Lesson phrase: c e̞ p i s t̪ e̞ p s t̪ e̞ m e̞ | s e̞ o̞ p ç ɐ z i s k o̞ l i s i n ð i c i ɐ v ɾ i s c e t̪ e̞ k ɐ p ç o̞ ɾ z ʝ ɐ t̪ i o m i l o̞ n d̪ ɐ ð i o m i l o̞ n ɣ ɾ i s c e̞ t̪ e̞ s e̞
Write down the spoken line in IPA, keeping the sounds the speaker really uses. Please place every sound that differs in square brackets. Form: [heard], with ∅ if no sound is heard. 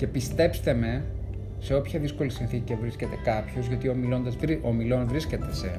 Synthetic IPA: c e̞ p i s t̪ e̞ p s t̪ e̞ m e̞ | s e̞ o̞ p ç ɐ [ð] i s k o̞ l i s i n [θ] i c i ɐ v ɾ i s c e t̪ e̞ k ɐ p ç o̞ [∅] z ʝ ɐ t̪ i o m i l o̞ n d̪ ɐ [z] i o m i l o̞ n [v] ɾ i s c e̞ t̪ e̞ s e̞